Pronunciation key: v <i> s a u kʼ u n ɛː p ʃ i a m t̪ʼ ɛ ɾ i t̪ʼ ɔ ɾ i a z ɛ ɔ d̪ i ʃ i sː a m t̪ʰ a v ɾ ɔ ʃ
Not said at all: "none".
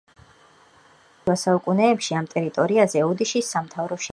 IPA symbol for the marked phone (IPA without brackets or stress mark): a